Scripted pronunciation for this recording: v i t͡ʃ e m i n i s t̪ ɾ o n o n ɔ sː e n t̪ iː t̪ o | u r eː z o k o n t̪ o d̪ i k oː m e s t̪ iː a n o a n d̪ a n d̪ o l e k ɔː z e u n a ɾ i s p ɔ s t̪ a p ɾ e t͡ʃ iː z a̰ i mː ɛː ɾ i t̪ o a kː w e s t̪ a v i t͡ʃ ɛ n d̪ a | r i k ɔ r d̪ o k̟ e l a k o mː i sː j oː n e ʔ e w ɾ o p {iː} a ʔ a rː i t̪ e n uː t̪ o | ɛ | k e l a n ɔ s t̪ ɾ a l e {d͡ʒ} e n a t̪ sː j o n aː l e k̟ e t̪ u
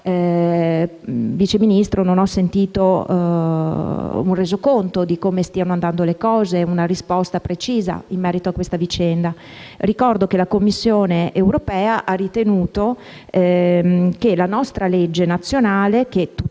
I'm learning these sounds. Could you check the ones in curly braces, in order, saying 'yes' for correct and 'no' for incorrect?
no, no

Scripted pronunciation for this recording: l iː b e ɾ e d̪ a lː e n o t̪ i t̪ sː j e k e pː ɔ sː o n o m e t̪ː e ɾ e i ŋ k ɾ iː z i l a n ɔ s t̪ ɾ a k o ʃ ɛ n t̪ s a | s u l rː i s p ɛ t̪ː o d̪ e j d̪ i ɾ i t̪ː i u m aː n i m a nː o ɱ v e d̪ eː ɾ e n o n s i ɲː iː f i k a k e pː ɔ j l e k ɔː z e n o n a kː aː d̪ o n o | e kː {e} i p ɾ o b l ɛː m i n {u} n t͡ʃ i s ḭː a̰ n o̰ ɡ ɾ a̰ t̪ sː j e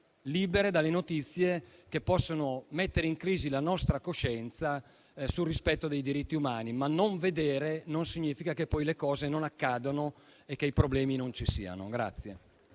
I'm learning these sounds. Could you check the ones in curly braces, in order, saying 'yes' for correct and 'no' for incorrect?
yes, no

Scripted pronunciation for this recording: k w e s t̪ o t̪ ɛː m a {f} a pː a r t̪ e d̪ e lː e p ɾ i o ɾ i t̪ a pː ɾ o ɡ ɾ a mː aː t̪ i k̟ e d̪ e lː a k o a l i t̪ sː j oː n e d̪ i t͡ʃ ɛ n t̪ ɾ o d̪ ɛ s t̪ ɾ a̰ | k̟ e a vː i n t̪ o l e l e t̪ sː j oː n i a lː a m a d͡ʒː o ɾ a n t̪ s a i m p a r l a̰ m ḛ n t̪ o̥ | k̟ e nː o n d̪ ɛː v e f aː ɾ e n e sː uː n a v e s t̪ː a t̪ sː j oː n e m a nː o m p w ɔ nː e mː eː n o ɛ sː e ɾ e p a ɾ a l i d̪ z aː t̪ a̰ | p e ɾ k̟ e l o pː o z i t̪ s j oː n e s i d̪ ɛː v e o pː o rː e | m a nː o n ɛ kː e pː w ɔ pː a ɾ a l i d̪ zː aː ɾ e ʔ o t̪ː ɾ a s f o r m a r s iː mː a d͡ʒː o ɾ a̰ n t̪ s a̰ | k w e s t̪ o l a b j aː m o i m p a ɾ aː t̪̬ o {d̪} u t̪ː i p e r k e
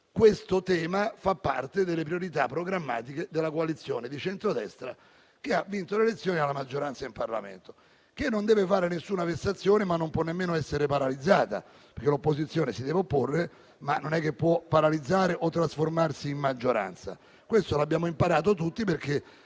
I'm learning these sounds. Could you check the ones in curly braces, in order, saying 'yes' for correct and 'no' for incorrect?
yes, no

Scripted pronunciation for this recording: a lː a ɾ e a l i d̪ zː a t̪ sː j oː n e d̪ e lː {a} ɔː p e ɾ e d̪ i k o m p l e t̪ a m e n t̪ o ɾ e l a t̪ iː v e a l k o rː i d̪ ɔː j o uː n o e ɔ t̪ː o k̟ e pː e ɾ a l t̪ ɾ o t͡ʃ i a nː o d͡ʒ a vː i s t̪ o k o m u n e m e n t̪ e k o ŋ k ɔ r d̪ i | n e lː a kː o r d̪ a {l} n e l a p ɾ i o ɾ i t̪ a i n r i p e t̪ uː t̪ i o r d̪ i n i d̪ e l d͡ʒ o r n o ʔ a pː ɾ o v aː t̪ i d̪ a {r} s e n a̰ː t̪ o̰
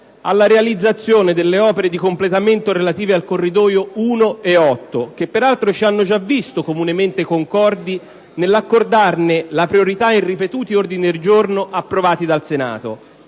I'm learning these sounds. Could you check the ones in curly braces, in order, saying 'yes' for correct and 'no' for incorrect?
no, no, no

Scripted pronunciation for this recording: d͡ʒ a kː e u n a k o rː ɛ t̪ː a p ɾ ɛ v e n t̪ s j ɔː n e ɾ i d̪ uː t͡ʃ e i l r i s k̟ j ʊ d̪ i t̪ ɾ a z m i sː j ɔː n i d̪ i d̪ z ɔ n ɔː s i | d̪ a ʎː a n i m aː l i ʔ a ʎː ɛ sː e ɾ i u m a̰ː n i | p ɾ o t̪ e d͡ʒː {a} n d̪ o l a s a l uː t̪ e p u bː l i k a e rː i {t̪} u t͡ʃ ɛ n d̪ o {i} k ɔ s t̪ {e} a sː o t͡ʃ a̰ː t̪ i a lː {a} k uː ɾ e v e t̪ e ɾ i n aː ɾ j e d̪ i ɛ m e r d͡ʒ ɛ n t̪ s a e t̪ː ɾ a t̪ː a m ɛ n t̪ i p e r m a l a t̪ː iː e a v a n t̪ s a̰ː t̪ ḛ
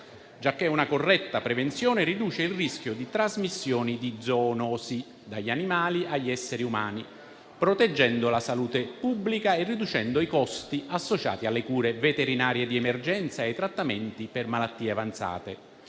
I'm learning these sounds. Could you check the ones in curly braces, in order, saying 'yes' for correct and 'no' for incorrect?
no, no, yes, no, no

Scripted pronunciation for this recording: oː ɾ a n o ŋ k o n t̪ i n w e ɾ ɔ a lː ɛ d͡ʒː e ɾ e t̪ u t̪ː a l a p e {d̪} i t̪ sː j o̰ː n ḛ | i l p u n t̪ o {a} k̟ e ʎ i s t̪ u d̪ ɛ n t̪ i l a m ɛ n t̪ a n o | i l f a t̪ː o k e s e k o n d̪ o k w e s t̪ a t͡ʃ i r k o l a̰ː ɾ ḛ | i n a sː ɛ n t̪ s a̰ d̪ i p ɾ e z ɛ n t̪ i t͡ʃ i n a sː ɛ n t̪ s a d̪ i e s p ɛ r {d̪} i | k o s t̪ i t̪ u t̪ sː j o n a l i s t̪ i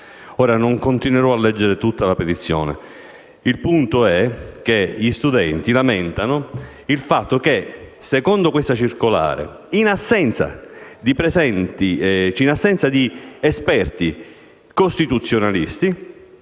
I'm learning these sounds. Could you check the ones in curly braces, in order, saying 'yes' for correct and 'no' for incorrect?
no, no, no

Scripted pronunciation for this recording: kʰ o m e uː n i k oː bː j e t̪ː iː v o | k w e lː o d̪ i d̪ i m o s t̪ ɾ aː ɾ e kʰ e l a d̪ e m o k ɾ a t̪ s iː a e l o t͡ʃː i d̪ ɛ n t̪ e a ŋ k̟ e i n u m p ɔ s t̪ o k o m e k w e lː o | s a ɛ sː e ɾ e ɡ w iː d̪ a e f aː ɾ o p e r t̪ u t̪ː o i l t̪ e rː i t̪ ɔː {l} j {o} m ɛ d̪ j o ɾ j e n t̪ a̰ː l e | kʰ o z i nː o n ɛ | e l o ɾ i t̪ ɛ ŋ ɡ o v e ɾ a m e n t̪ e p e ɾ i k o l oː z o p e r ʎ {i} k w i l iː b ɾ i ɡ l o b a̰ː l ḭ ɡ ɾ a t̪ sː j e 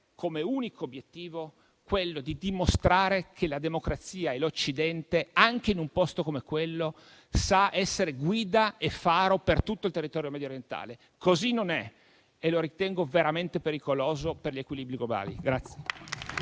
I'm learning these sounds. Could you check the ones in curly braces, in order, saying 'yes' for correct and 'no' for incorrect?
no, yes, no

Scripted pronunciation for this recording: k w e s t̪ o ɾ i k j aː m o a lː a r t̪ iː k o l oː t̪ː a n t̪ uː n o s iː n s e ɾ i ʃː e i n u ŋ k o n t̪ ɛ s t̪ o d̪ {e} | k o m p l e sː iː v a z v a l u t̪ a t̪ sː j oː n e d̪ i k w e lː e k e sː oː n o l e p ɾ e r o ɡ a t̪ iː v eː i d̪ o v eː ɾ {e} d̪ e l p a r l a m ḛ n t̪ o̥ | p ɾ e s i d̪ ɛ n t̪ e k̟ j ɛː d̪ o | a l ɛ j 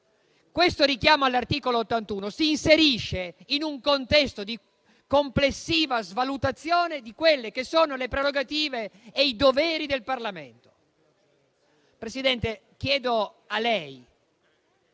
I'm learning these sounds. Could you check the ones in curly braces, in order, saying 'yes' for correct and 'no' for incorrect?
no, no

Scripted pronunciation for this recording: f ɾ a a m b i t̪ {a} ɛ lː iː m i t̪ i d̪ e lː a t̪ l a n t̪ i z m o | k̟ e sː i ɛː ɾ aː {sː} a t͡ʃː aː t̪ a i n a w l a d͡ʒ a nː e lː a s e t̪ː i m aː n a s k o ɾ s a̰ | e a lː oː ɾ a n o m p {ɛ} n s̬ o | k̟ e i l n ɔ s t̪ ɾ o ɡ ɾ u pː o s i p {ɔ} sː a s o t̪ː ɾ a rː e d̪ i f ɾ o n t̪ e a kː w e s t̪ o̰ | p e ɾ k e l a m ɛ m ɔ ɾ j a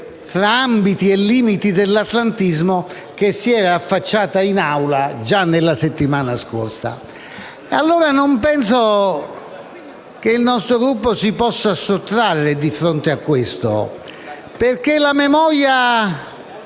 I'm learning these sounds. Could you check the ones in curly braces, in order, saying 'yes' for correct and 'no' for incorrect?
no, no, yes, yes

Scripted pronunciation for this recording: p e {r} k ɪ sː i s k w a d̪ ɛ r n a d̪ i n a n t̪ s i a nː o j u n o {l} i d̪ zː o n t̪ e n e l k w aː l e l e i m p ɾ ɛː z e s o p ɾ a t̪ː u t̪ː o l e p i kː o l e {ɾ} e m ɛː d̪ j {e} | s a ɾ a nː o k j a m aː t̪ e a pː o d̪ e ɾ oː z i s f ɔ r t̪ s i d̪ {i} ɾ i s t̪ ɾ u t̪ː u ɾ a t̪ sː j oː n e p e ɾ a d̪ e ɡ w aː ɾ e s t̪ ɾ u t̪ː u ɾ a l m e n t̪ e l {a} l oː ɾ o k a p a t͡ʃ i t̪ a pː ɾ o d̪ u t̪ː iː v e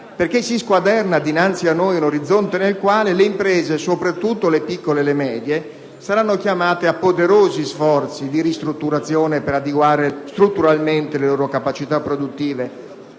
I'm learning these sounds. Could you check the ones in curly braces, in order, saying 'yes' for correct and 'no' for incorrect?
yes, no, no, yes, yes, no

